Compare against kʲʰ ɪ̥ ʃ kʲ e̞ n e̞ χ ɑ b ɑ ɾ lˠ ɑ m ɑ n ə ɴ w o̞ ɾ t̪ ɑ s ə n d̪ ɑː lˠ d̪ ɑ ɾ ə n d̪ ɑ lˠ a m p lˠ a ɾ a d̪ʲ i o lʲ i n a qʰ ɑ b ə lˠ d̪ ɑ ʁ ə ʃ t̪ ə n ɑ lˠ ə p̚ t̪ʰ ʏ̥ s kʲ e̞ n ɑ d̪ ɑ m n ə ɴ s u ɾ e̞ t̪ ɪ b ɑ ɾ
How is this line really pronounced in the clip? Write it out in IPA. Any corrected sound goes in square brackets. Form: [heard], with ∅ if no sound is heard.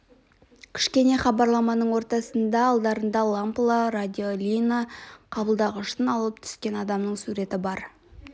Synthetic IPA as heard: kʲʰ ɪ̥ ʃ kʲ e̞ n e̞ χ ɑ b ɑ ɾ lˠ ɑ m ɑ n ə ɴ w o̞ ɾ t̪ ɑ s ə n d̪ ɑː lˠ d̪ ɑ ɾ ə n d̪ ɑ lˠ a m p lˠ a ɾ a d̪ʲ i o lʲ i n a qʰ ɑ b ə lˠ d̪ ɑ ʁ ə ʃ t̪ ə n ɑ lˠ ə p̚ t̪ʰ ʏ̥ s kʲ e̞ n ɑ d̪ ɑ m n ə ɴ s u ɾ e̞ t̪ ɪ b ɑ ɾ

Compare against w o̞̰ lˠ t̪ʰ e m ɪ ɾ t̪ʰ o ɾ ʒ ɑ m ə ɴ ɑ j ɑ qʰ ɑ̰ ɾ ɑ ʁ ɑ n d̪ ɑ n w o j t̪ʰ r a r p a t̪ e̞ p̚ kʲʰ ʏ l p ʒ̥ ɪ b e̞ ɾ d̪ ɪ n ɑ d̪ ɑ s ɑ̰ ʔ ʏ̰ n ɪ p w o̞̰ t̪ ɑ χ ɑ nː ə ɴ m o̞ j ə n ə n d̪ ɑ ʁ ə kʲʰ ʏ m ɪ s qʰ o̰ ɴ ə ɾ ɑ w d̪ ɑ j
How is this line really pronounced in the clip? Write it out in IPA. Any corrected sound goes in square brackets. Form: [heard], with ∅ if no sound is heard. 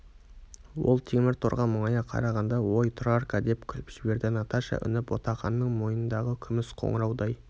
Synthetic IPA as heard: w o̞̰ lˠ t̪ʰ e m ɪ ɾ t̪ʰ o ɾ [ʁ] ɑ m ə ɴ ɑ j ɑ qʰ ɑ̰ ɾ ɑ ʁ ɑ n d̪ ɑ [∅] w o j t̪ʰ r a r [k] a [d̪] e̞ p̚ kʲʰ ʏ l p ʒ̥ ɪ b e̞ ɾ d̪ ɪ n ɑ [t̪] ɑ [ʃ] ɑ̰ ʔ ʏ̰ n ɪ p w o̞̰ t̪ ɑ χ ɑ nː ə ɴ m o̞ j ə n ə n d̪ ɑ ʁ ə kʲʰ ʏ m ɪ s qʰ o̰ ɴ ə ɾ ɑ w d̪ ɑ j

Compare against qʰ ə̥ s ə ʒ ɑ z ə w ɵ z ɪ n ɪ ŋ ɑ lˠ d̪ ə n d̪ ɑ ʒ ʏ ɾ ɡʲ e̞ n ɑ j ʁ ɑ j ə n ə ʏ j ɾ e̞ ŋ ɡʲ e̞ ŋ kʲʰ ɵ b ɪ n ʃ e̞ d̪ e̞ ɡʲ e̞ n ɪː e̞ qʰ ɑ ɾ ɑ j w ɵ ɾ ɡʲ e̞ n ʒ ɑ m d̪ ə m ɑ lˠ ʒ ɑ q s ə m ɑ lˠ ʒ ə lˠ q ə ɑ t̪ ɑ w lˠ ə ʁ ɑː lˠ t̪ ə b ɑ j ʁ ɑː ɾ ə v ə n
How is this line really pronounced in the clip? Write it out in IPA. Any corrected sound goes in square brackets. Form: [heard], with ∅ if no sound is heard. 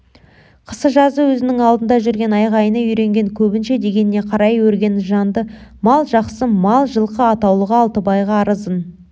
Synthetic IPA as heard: qʰ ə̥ s ə ʒ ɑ z ə w ɵ z ɪ n ɪ ŋ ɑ lˠ d̪ ə n d̪ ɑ ʒ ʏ ɾ ɡʲ e̞ n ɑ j ʁ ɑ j ə n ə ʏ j ɾ e̞ ŋ ɡʲ e̞ ŋ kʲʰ ɵ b ɪ n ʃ e̞ d̪ e̞ ɡʲ e̞ n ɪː e̞ qʰ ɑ ɾ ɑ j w ɵ ɾ ɡʲ e̞ n ʒ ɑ [n] d̪ ə m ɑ lˠ ʒ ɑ q s ə m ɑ lˠ ʒ ə lˠ q ə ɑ t̪ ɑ w lˠ ə ʁ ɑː lˠ t̪ ə b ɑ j ʁ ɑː ɾ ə [z] ə n

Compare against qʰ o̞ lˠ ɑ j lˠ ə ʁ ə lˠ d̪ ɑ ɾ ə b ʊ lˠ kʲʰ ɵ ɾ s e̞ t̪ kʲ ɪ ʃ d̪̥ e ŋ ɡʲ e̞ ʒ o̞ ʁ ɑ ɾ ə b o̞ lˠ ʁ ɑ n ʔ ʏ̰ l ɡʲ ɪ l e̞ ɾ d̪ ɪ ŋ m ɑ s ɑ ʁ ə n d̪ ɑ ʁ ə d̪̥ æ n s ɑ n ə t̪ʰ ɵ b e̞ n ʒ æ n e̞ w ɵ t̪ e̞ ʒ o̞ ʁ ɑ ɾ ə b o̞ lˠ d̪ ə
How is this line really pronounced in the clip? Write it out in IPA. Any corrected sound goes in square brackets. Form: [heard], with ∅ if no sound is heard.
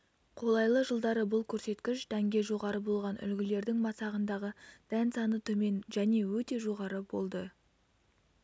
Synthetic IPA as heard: qʰ o̞ lˠ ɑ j lˠ ə [ʒ] ə lˠ d̪ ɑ ɾ ə b ʊ lˠ kʲʰ ɵ ɾ s e̞ t̪ kʲ ɪ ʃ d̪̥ [æ] ŋ ɡʲ e̞ ʒ o̞ ʁ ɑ ɾ ə b o̞ lˠ ʁ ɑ n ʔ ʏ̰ l ɡʲ ɪ l e̞ ɾ d̪ ɪ ŋ m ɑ s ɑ ʁ ə n d̪ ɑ ʁ ə d̪̥ æ n s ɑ n ə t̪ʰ ɵ [m] e̞ n ʒ æ n e̞ w ɵ t̪ e̞ ʒ o̞ ʁ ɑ ɾ ə b o̞ lˠ d̪ ə

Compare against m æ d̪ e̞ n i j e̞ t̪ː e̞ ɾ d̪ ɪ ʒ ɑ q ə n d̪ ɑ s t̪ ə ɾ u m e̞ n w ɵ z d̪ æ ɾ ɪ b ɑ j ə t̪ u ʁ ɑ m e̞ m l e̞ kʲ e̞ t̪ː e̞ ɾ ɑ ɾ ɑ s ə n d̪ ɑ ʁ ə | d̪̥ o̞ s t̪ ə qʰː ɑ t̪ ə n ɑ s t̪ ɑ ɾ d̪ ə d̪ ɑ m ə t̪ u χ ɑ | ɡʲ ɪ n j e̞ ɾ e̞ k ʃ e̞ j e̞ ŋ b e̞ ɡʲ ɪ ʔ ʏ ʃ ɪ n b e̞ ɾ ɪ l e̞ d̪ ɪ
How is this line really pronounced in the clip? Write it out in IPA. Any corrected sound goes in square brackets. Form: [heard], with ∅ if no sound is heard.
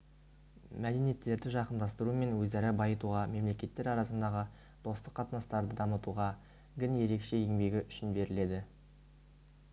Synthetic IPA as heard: m æ d̪ e̞ n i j e̞ t̪ː e̞ ɾ d̪ ɪ ʒ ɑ q ə n d̪ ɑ s t̪ ə ɾ u m e̞ n w ɵ z d̪ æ ɾ ɪ b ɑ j ə t̪ u ʁ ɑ m e̞ m l e̞ kʲ e̞ t̪ː e̞ ɾ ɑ ɾ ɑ s ə n d̪ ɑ ʁ ə | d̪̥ o̞ s t̪ ə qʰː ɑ t̪ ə n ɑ s t̪ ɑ ɾ d̪ ə d̪ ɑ m ə t̪ u [ʁ] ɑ | ɡʲ ɪ n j e̞ ɾ e̞ k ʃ e̞ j e̞ ŋ b e̞ ɡʲ ɪ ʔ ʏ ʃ ɪ n b e̞ ɾ ɪ l e̞ d̪ ɪ

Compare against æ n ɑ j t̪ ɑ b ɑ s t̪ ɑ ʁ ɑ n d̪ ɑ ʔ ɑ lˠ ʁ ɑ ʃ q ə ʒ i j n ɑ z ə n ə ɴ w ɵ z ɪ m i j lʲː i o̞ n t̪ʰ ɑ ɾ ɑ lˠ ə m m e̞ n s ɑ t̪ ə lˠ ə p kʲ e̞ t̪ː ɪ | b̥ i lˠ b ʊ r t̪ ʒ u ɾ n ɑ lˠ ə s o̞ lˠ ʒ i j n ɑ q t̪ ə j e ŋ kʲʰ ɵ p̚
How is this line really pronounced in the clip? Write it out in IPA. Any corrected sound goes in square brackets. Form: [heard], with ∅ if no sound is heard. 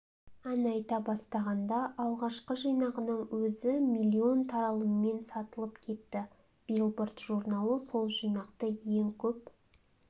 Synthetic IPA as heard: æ n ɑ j t̪ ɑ b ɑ s t̪ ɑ ʁ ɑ n d̪ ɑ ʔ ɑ lˠ ʁ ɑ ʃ q ə ʒ i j n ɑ [ʁ] ə n ə ɴ w ɵ z ɪ m i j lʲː i o̞ n t̪ʰ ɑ ɾ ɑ lˠ ə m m e̞ n s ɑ t̪ ə lˠ ə p [kʲʰ] e̞ t̪ː ɪ | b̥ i lˠ b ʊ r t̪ ʒ u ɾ n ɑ lˠ ə s o̞ lˠ ʒ i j n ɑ q t̪ ə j e ŋ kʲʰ ɵ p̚

